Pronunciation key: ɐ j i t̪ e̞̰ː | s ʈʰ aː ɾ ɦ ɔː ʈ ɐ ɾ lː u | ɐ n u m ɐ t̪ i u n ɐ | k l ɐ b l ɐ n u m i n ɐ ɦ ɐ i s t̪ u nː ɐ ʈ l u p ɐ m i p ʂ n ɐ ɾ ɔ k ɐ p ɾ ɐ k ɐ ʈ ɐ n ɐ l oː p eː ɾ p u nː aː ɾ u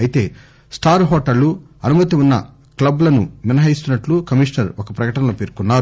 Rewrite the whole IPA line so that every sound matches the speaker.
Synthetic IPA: ɐ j i t̪ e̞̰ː | s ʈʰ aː ɾ ɦ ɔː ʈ ɐ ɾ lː u | ɐ n u m ɐ t̪ i u nː ɐ | k l ɐ b l ɐ n u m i n ɐ ɦ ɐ i s t̪ u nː ɐ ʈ l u k ɐ m i ʂ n ɐ ɾ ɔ k ɐ p ɾ ɐ k ɐ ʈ ɐ n ɐ l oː p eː ɾ k u nː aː ɾ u